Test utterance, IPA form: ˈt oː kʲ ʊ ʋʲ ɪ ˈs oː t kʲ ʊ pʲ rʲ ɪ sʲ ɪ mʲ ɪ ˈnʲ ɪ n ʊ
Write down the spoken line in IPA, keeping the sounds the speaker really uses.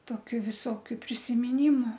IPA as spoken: ˈt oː kʲ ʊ ʋʲ ɪ ˈs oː kʲ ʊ pʲ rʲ ɪ sʲ ɪ mʲ ɪ ˈnʲ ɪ m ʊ